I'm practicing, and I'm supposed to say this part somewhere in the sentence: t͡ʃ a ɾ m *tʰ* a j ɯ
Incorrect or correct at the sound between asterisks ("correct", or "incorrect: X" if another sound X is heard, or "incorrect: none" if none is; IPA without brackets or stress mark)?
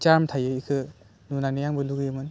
correct